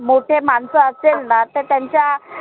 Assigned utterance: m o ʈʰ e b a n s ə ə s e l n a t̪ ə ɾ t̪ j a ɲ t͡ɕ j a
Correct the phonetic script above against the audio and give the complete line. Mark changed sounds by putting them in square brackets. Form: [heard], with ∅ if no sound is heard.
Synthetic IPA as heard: m o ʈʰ e [m] a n s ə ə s e l n a t̪ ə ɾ t̪ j a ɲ t͡ɕ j a